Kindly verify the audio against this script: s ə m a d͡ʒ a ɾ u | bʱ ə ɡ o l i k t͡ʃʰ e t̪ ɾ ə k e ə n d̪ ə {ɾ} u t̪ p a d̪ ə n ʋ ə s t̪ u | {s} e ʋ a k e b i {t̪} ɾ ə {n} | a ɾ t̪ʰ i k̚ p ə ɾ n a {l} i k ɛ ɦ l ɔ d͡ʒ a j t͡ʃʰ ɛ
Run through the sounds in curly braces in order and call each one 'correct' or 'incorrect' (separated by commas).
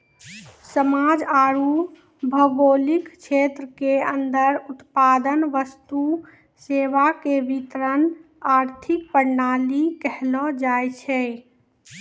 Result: correct, correct, correct, correct, correct